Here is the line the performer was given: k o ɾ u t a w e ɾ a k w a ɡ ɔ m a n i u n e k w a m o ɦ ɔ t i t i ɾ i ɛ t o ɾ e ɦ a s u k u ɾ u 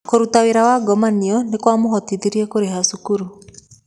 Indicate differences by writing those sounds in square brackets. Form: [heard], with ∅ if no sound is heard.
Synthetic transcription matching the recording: k o ɾ u t a w e ɾ a [∅] w a ɡ ɔ m a n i [ɔ] n e k w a m o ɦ ɔ t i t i ɾ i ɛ [k] o ɾ e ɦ a s u k u ɾ u